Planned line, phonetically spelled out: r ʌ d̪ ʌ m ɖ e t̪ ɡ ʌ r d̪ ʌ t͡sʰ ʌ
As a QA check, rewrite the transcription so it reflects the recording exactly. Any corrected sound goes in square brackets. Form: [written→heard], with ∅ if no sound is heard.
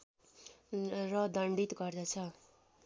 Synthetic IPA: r ʌ d̪ ʌ [m→ɳ] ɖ [e→i] t̪ ɡ ʌ r d̪ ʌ t͡sʰ ʌ